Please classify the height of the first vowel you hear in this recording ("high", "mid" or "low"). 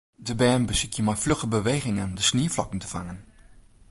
mid